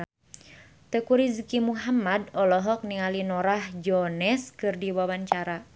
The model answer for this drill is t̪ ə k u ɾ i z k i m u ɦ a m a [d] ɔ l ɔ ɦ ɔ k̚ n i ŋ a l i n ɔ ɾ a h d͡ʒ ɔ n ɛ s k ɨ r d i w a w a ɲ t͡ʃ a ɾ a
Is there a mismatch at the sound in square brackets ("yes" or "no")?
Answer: no